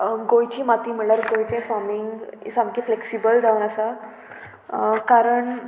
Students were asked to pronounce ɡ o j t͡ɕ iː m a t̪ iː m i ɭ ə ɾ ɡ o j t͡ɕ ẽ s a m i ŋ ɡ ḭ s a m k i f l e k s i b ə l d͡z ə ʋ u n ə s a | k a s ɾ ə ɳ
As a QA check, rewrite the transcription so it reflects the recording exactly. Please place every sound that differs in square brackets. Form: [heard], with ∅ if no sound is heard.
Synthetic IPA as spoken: ɡ o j t͡ɕ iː m a t̪ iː m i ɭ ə ɾ ɡ o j t͡ɕ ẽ [f] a m i ŋ ɡ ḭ s a m k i f l e k s i b ə l d͡z [a] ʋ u n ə s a | k a [∅] ɾ ə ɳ